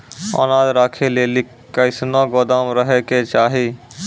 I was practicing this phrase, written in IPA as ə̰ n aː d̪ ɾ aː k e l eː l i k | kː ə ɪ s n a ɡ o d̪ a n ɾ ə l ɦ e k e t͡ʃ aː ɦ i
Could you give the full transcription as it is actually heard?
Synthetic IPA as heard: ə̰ n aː d̪ ɾ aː kʰ e l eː l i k | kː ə ɪ s n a ɡ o d̪ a m ɾ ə ɦ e k e t͡ʃ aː ɦ i

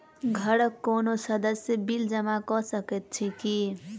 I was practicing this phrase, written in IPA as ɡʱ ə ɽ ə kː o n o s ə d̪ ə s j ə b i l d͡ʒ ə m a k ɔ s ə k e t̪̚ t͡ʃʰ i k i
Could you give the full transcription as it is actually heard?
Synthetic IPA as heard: ɡʱ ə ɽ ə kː o n o s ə d̪ ə s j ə b i l d͡ʒ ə m a k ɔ s ə k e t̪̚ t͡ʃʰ i k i

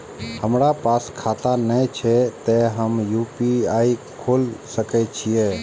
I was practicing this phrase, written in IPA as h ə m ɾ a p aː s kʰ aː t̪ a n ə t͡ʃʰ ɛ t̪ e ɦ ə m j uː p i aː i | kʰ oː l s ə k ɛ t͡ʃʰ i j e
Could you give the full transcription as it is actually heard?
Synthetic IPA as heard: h ə m ɾ a p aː s kʰ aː t̪ a n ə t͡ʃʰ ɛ t̪ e ɦ ə m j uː p i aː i | kʰ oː l s ə k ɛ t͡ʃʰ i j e

